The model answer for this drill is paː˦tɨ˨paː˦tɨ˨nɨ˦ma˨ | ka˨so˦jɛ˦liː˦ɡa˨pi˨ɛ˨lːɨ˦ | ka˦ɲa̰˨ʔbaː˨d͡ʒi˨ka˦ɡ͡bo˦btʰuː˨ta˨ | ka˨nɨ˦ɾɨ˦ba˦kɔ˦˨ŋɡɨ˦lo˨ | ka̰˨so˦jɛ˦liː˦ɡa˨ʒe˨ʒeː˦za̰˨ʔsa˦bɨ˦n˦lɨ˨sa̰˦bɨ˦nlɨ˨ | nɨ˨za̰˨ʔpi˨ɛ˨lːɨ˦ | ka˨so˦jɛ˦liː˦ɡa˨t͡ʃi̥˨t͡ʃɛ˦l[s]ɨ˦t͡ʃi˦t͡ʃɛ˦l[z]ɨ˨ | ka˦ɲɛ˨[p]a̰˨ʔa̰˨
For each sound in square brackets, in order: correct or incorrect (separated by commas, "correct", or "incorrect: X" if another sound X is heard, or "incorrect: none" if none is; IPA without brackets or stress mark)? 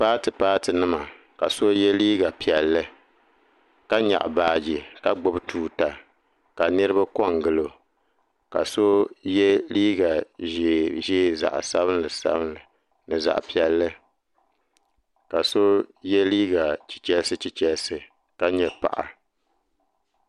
correct, incorrect: s, correct